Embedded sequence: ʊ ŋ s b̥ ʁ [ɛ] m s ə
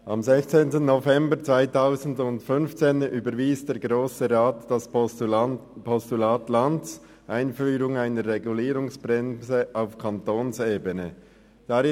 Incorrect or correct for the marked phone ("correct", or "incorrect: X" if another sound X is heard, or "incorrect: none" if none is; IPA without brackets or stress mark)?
correct